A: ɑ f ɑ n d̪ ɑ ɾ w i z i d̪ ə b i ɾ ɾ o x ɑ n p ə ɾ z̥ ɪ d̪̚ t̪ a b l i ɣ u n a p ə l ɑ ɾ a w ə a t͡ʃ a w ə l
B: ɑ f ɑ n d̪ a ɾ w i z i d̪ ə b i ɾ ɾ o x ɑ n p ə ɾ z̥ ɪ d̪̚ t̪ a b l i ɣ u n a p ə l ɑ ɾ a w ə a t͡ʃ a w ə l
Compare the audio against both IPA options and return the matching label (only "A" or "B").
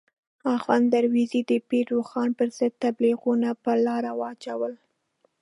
B